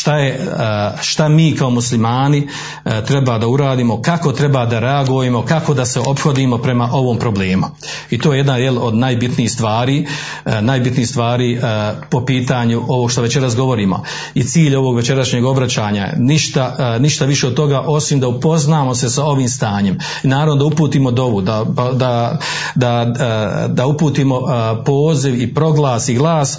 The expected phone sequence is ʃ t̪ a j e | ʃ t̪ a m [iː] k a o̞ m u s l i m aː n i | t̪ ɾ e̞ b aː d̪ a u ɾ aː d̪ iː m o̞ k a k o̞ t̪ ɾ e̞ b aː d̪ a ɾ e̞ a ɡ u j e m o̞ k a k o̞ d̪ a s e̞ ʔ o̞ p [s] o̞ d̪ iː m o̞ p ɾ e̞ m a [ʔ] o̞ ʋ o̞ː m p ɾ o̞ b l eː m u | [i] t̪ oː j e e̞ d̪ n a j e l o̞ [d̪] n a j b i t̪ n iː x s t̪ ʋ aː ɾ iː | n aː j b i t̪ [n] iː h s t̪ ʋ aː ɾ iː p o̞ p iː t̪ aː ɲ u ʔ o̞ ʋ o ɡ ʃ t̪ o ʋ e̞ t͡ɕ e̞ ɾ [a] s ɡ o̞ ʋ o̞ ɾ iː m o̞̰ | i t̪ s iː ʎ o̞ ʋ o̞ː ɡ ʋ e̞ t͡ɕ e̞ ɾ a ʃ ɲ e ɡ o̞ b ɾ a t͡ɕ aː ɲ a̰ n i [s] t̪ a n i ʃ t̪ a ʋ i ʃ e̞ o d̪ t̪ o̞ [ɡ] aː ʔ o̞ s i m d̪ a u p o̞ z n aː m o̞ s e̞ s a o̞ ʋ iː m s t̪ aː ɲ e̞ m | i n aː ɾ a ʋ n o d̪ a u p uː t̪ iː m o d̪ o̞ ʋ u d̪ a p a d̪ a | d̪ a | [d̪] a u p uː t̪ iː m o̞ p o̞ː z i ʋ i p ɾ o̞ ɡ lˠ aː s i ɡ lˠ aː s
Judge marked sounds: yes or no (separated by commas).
yes, no, yes, yes, yes, yes, yes, no, yes, yes